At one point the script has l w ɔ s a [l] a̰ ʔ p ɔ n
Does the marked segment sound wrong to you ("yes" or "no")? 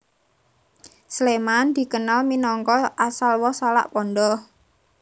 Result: no